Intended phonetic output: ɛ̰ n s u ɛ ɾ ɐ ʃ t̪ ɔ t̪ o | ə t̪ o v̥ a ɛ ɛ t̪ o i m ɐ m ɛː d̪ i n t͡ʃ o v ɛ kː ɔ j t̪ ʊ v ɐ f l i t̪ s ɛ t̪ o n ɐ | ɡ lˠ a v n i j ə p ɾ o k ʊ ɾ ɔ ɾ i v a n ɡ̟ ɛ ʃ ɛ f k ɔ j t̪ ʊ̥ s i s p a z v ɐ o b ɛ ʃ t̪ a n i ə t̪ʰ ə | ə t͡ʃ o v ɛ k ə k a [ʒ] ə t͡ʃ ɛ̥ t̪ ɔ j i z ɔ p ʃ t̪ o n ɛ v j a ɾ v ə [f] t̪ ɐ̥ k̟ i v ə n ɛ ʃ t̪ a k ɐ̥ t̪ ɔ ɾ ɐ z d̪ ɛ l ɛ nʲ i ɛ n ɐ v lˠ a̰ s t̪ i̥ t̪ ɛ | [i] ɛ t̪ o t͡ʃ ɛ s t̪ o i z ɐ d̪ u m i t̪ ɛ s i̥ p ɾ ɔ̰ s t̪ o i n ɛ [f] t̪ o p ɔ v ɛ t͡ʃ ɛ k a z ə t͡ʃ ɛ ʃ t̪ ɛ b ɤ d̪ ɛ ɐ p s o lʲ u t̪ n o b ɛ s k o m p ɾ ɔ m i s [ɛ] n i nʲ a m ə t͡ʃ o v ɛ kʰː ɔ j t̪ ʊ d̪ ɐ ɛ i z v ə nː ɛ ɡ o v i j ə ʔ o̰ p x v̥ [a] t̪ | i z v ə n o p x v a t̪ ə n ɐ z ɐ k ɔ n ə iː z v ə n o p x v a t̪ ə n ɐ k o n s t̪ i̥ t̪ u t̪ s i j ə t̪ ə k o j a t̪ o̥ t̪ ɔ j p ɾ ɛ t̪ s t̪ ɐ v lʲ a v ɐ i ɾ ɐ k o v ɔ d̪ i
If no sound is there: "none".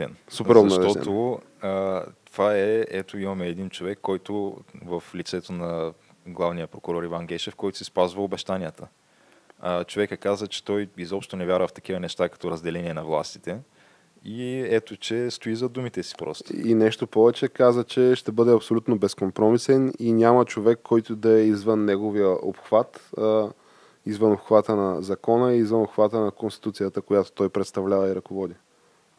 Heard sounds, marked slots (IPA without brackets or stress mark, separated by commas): z, f, i, ʃ, ɛ, a